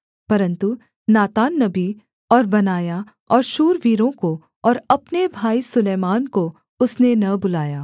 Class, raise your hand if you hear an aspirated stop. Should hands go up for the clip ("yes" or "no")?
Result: no